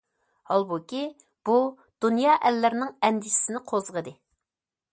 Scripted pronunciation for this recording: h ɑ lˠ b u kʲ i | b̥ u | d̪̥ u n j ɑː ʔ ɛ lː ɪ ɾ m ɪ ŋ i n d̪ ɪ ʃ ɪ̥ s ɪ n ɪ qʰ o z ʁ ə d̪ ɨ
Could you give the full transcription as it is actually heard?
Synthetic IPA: h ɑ lˠ b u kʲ i | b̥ u | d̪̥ u n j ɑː ʔ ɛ lː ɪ ɾ n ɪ ŋ ɛ n d̪ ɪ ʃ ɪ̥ s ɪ n ɪ qʰ o z ʁ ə d̪ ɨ